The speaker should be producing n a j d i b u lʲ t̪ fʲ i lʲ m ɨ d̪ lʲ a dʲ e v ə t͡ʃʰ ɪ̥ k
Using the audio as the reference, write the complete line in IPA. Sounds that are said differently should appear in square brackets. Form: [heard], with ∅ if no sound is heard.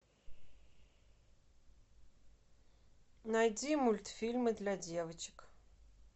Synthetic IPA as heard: n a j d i [m] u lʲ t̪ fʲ i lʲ m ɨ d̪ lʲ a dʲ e v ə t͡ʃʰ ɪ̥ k